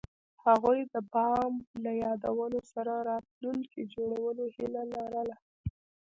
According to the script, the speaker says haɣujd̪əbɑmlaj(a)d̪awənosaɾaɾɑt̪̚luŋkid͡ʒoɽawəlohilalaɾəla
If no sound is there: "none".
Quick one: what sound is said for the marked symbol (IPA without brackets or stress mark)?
ɑ